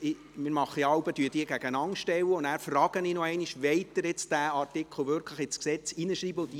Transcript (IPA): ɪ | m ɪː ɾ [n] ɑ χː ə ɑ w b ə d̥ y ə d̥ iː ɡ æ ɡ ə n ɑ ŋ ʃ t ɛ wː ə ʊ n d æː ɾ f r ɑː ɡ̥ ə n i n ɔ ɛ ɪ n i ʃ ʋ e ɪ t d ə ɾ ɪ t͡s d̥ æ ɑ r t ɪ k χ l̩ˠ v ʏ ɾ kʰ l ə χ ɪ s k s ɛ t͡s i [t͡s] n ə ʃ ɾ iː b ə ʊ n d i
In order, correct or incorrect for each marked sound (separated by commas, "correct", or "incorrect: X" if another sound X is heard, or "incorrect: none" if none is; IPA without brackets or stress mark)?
incorrect: m, incorrect: none